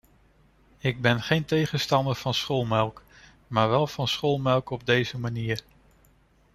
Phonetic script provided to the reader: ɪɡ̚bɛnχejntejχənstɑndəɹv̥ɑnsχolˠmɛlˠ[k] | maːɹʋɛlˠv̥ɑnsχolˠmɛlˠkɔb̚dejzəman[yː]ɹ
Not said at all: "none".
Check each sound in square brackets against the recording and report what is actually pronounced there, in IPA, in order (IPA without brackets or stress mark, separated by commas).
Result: k, iː